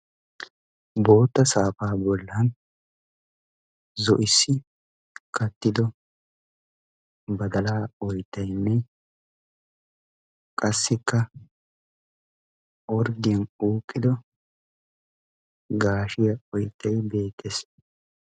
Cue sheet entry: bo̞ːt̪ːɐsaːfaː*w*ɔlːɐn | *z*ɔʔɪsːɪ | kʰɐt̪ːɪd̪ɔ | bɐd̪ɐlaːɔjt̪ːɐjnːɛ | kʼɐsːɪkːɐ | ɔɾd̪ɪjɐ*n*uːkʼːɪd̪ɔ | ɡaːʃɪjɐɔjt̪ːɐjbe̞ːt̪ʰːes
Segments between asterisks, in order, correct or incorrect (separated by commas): incorrect, correct, correct